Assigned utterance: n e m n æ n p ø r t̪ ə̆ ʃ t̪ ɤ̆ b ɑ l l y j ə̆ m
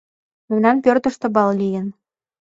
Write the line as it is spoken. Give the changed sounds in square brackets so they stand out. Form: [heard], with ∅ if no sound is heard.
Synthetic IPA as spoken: [m] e m n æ n p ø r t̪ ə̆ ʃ t̪ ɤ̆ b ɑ l l [i] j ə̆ [n]